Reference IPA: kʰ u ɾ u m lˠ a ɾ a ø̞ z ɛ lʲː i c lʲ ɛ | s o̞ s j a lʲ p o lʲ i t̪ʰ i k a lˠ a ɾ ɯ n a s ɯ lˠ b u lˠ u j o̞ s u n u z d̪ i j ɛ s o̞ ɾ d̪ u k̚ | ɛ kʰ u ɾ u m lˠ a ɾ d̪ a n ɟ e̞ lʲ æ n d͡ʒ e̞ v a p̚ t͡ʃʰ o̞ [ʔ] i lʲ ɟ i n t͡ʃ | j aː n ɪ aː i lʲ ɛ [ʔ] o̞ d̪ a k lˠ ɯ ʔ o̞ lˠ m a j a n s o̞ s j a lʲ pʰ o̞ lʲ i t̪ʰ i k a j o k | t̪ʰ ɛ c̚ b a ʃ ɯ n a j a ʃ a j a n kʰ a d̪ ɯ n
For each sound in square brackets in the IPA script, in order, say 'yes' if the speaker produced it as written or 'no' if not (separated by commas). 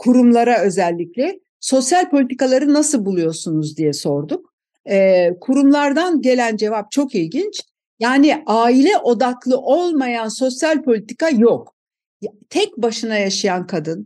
no, yes